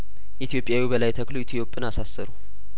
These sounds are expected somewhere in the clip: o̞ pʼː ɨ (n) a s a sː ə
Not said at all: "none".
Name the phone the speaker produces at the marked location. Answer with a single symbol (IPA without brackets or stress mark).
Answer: n